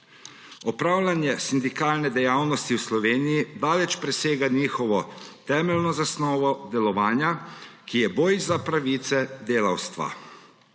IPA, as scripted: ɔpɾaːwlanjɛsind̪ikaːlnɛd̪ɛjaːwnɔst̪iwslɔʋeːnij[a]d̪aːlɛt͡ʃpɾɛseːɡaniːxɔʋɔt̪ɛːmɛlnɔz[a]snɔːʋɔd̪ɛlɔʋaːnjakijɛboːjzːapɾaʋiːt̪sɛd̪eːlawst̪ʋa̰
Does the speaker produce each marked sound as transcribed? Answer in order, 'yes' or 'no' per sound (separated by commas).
no, yes